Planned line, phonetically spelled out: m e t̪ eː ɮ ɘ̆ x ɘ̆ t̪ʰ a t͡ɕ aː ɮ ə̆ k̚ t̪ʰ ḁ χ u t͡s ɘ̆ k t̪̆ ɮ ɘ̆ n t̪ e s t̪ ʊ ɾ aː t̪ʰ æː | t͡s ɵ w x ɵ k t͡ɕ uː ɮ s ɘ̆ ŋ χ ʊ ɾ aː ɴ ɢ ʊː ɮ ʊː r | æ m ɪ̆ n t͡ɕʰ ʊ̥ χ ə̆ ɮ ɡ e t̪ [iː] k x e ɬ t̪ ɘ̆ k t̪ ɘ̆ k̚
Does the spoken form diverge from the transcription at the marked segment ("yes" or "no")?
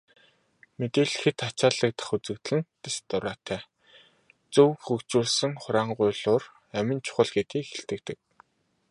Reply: no